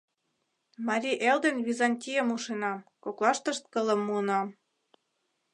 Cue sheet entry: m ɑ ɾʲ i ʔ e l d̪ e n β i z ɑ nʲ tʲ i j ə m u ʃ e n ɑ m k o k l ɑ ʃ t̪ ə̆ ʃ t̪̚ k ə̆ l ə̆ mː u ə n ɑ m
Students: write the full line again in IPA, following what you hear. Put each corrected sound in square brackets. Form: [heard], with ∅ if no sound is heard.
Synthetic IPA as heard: m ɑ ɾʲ i ʔ e l d̪ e n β i z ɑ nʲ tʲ i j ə m u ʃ e n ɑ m k o k l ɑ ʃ t̪ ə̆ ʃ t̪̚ k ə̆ l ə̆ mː u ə n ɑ m